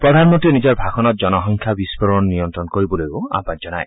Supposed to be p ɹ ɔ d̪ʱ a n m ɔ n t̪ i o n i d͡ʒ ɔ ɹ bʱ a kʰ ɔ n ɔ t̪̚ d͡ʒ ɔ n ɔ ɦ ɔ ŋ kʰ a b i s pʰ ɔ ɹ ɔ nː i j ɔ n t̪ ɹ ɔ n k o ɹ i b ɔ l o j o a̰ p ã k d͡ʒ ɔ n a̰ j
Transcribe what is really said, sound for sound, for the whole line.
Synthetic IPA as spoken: p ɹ ɔ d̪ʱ a n m ɔ n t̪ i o n i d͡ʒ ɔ ɹ bʱ a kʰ ɔ n ɔ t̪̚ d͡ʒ ɔ n ɔ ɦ ɔ ŋ kʰ a b i s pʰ ɔ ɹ ɔ nː i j ɔ n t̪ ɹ ɔ n k o ɹ i b ɔ l o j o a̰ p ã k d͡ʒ ɔ n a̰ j

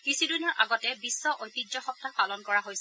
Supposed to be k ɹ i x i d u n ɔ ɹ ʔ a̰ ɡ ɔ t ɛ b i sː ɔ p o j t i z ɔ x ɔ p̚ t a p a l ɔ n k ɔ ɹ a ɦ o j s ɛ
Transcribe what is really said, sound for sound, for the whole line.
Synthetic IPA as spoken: k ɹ i s i d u n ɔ ɹ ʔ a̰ ɡ ɔ t ɛ b i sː ɔ ʔ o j t i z ɔ x ɔ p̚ t a p a l ɔ n k ɔ ɹ a ɦ o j s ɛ

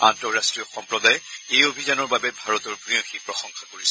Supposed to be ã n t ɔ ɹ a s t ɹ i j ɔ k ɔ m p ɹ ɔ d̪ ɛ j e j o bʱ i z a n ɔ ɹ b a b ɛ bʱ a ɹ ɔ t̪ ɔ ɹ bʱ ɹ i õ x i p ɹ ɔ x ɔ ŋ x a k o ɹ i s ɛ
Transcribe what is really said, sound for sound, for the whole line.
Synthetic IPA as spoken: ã n t ɔ ɹ a s t ɹ i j ɔ x ɔ m p ɹ ɔ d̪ a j e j o bʱ i z a n ɔ ɹ b a b ɛ bʱ a ɹ ɔ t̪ ɔ ɹ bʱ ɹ i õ x i p ɹ ɔ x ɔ ŋ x a k o ɹ i s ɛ

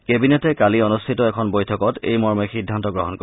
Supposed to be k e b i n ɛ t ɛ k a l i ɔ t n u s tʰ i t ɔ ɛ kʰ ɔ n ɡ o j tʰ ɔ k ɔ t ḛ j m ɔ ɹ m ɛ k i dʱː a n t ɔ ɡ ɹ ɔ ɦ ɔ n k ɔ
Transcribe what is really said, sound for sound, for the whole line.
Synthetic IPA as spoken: k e b i n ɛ t ɛ k a l i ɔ n u s tʰ i t ɔ ɛ kʰ ɔ n b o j tʰ ɔ k ɔ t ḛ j m ɔ ɹ m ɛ x i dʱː a n t ɔ ɡ ɹ ɔ ɦ ɔ n k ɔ

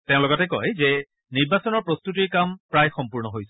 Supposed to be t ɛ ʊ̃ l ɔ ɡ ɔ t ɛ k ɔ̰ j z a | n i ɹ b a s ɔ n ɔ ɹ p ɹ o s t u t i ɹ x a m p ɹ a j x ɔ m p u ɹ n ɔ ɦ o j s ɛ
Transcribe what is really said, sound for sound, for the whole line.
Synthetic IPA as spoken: t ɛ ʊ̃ l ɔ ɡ ɔ t ɛ k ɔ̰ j z ɛ | n i ɹ b a s ɔ n ɔ ɹ p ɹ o s t u t i ɹ k a m p ɹ a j x ɔ m p u ɹ n ɔ ɦ o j s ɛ

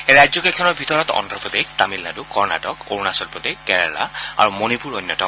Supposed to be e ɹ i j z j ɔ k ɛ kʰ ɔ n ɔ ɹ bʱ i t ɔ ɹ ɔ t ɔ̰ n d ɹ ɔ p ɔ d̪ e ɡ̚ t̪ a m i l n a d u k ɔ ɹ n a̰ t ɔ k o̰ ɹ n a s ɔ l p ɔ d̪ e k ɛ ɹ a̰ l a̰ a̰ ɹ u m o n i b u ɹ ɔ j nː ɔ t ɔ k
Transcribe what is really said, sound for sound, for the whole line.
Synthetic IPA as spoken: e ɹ a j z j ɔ k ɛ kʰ ɔ n ɔ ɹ bʱ i t ɔ ɹ ɔ t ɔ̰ n d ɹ ɔ p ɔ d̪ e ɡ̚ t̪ a m i l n a d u k ɔ ɹ n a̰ t ɔ k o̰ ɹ n a s ɔ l p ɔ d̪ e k ɛ ɹ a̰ l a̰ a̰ ɹ u m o n i p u ɹ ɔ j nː ɔ t ɔ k

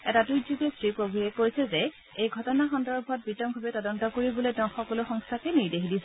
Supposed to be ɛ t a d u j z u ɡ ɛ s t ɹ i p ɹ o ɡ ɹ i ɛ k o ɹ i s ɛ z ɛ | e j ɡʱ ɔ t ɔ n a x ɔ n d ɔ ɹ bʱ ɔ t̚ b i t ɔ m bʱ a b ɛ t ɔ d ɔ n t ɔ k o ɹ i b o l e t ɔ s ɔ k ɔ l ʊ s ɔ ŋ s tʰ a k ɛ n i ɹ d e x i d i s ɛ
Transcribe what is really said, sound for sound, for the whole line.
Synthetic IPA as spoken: ɛ t a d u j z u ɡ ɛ s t ɹ i p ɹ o ɡ ɹ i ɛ k o ɹ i s ɛ z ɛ | e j ɡʱ ɔ t ɔ n a x ɔ n d ɔ ɹ bʱ ɔ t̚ b i t ɔ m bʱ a b ɛ t ɔ d ɔ n t ɔ k o ɹ i b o l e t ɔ x ɔ k ɔ l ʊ x ɔ ŋ s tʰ a k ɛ n i ɹ d e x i d i s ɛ

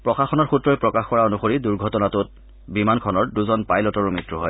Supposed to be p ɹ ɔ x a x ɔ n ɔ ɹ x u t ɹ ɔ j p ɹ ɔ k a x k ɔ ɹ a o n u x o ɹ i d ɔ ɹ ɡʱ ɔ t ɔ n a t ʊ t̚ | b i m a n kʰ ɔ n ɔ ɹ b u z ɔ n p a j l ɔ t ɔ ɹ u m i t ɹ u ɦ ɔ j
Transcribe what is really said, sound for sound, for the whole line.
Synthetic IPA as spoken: p ɹ ɔ x a x ɔ n ɔ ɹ x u t ɹ ɔ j p ɹ ɔ k a x k ɔ ɹ a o n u x o ɹ i d u ɹ ɡʱ ɔ t ɔ n a t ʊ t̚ | b i m a n kʰ ɔ n ɔ ɹ d u z ɔ n p a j l ɔ t ɔ ɹ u m i t ɹ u ɦ ɔ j

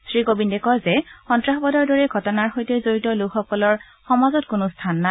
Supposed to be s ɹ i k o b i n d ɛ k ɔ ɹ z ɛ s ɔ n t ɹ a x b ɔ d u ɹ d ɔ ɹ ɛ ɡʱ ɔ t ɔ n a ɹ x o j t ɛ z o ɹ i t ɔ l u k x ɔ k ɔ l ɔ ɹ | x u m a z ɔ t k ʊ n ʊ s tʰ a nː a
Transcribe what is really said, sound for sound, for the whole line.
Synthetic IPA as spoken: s ɹ i k o b i n d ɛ k ɔ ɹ z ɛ x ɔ n t ɹ a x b ɔ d ɔ ɹ d ɔ ɹ ɛ ɡʱ ɔ t ɔ n a ɹ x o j t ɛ z o ɹ i t ɔ l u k x ɔ k ɔ l ɔ ɹ | x ɔ m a z ɔ t k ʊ n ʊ s tʰ a nː a

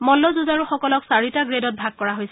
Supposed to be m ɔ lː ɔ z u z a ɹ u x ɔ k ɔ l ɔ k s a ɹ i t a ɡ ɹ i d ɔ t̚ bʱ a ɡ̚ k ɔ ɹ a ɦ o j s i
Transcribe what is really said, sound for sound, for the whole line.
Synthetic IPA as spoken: m ɔ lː ɔ z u z a ɹ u x ɔ k ɔ l ɔ k s a ɹ i t a ɡ ɹ e d ɔ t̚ bʱ a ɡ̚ k ɔ ɹ a ɦ o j s ɛ

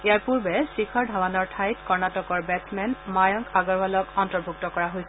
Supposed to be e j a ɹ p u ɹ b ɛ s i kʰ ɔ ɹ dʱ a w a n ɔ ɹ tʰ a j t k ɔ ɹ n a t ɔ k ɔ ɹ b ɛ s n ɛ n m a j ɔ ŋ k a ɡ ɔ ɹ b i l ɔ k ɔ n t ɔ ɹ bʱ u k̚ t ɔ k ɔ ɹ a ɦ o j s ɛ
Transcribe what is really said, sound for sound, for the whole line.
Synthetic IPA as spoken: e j a ɹ p u ɹ b ɛ s i kʰ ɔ ɹ dʱ a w a n ɔ ɹ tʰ a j t k ɔ ɹ n a t ɔ k ɔ ɹ b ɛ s m ɛ n m a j ɔ ŋ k a ɡ ɔ ɹ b a l ɔ k ɔ n t ɔ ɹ bʱ u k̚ t ɔ k ɔ ɹ a ɦ o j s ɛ

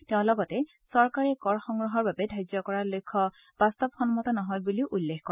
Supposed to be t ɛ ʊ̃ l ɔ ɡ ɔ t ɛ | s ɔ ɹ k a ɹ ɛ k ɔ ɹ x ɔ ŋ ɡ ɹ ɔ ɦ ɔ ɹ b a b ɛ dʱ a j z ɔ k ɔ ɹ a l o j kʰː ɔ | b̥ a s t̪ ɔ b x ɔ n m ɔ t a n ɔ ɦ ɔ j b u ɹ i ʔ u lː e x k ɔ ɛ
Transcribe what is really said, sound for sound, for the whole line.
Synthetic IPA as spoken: t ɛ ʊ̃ l ɔ ɡ ɔ t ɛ | s ɔ ɹ k a ɹ ɛ k ɔ ɹ x ɔ ŋ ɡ ɹ ɔ ɦ ɔ ɹ b a b ɛ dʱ a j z ɔ k ɔ ɹ a l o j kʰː ɔ | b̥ a s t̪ ɔ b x ɔ n m ɔ t a n ɔ ɦ ɔ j b u l i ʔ u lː e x k ɔ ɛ

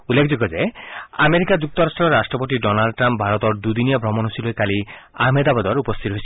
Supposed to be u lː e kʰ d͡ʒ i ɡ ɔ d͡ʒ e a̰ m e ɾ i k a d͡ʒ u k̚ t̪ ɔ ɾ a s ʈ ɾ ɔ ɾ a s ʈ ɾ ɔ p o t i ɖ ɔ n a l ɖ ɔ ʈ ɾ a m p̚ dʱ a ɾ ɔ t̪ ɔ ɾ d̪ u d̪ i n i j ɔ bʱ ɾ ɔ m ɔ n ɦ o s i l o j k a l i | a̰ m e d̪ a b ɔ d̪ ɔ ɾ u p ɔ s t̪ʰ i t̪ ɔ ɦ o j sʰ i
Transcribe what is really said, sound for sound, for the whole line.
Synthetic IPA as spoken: u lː e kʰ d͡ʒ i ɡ ɔ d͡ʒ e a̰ m e ɾ i k a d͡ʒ u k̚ t̪ ɔ ɾ a s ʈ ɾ ɔ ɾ a s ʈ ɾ ɔ p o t i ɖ ɔ n a l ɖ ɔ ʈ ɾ a m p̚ bʱ a ɾ ɔ t̪ ɔ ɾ d̪ u d̪ i n i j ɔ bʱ ɾ ɔ m ɔ n ɦ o s i l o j k a l i | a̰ m e d̪ a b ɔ d̪ ɔ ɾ u p ɔ s t̪ʰ i t̪ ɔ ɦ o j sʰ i

